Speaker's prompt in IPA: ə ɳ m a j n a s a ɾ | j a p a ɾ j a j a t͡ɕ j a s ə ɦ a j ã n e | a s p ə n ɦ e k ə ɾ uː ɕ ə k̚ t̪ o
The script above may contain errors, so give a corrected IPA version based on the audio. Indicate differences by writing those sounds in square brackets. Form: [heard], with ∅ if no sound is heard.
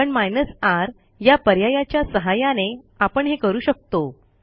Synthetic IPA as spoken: ə ɳ m a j n [ə] s a ɾ | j a p [ə] ɾ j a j a t͡ɕ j a s ə ɦ a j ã n e | a [∅] p ə [ɳ] ɦ e k ə ɾ uː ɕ ə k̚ t̪ o